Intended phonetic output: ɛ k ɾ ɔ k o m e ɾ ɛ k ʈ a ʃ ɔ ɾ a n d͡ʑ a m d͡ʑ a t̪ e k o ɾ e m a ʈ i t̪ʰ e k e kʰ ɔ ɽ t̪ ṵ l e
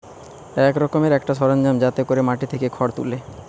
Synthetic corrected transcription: ɛ k ɾ ɔ k o m e ɾ ɛ k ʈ a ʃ ɔ ɾ a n d͡ʑ a m d͡ʑ a t̪ e k o ɾ e m a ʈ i t̪ʰ e k e kʰ ɔ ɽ t̪ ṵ l e